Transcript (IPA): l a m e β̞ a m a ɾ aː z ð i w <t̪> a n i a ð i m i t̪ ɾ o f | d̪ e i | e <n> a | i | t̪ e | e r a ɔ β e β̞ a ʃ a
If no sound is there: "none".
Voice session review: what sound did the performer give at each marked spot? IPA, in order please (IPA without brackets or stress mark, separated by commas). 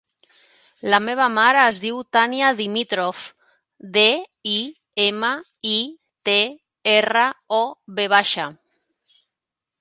t̪, m